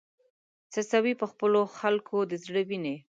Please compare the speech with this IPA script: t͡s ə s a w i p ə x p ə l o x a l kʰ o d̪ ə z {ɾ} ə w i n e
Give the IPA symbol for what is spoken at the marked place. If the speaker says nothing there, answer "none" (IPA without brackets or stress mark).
ɽ